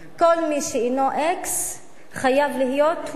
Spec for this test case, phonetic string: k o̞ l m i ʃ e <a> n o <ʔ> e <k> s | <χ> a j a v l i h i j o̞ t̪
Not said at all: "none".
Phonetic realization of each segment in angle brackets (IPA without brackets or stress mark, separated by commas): i, ʔ, k, χ